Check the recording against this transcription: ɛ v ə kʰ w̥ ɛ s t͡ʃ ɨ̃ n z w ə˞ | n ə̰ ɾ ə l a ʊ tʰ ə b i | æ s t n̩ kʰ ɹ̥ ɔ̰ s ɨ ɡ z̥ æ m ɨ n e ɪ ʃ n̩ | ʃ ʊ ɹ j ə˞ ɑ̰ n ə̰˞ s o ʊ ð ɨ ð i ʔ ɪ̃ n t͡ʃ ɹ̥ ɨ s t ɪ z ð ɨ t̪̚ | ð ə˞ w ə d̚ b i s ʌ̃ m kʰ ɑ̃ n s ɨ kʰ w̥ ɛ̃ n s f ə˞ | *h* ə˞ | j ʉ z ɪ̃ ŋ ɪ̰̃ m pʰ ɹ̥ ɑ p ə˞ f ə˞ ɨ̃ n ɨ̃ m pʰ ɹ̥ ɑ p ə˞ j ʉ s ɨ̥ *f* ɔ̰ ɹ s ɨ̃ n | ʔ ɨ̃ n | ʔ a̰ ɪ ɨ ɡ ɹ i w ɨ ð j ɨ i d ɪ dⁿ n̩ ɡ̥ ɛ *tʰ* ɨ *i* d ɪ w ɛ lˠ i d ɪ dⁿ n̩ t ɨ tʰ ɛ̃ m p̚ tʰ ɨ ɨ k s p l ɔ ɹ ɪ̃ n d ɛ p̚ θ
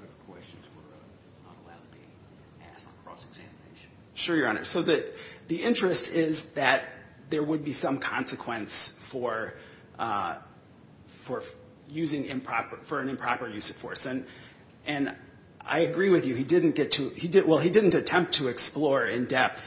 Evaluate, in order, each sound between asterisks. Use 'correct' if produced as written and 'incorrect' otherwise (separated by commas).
incorrect, correct, correct, correct